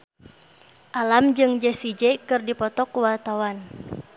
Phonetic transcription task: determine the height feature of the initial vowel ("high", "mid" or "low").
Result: low